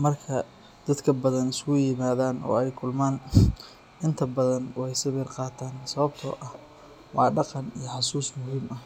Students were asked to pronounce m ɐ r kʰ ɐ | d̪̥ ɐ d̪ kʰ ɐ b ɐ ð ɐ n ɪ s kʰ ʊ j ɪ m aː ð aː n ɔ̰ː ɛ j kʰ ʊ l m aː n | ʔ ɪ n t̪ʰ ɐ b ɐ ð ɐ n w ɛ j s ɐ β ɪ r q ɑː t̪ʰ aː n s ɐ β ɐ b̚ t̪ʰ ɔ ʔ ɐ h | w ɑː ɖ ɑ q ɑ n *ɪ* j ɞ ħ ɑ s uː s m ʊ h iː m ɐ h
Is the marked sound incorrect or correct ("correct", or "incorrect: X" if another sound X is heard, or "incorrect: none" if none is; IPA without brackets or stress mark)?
incorrect: i